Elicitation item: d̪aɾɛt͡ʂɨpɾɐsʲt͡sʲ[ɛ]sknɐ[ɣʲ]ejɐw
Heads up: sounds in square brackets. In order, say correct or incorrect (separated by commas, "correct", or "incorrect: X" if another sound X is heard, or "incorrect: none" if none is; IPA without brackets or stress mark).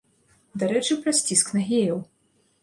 incorrect: i, correct